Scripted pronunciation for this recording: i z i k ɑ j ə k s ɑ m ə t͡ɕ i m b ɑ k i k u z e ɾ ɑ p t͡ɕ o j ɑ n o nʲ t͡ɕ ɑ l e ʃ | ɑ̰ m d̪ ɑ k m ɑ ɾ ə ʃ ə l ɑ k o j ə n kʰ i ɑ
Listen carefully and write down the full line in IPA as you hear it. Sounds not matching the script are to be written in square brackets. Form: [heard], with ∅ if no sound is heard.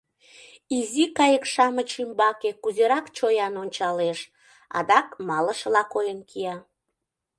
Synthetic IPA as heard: i z i k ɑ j ə k [ʃ] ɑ m ə t͡ɕ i m b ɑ k [e] k u z e ɾ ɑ [k] t͡ɕ o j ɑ n o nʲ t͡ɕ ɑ l e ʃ | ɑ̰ [∅] d̪ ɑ k m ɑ [l] ə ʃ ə l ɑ k o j ə n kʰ i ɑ